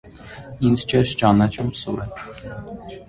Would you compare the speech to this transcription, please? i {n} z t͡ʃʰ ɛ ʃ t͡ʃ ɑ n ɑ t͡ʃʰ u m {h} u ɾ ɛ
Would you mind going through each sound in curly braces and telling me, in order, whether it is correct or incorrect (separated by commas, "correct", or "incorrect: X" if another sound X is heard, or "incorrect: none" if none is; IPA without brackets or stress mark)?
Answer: correct, incorrect: s